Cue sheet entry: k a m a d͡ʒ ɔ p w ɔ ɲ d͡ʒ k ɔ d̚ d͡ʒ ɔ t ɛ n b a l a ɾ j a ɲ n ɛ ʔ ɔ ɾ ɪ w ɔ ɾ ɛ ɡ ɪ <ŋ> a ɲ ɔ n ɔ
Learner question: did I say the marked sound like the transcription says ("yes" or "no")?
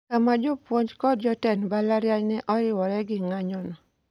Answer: yes